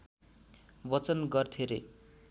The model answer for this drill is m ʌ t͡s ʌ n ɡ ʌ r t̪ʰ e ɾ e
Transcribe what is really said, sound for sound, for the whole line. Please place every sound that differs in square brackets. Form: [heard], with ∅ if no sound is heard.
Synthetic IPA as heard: [b] ʌ t͡s ʌ n ɡ ʌ r t̪ʰ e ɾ e